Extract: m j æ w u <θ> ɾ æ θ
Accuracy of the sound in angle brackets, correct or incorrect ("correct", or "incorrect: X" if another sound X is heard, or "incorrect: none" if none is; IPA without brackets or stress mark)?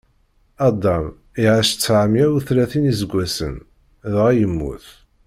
correct